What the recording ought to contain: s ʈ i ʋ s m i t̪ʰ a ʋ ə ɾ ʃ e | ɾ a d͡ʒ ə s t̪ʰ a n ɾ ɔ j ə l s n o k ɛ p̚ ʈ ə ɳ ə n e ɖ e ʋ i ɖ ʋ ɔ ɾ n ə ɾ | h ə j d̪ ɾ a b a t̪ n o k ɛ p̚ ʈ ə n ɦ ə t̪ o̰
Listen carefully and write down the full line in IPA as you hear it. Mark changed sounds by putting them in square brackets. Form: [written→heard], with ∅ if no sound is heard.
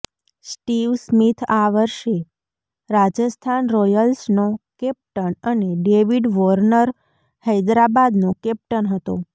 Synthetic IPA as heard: s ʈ i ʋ s m i t̪ʰ a ʋ ə ɾ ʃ e | ɾ a d͡ʒ ə s t̪ʰ a n ɾ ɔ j ə l s n o k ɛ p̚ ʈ ə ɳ ə n e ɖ e ʋ i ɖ ʋ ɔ ɾ n ə ɾ | h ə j d̪ ɾ a b a [t̪→d̪] n o k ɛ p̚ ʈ ə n ɦ ə t̪ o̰